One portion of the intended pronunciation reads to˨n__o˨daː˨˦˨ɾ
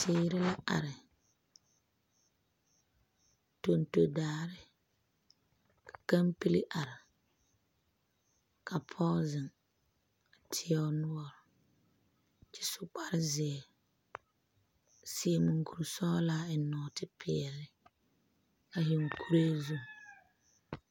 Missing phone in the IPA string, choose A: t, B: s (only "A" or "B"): A